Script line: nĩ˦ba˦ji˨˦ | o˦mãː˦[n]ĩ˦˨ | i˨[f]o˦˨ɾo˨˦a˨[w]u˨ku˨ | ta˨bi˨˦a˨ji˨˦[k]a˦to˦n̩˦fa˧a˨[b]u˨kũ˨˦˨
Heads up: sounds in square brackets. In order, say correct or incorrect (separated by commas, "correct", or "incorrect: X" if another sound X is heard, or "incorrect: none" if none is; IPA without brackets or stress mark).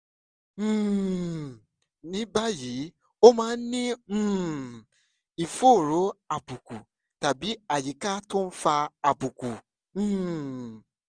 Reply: correct, correct, incorrect: b, correct, correct